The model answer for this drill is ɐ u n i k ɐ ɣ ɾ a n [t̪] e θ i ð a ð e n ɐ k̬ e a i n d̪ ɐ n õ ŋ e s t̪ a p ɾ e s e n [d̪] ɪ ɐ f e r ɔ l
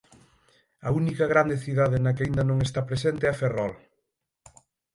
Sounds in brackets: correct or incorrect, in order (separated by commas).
incorrect, incorrect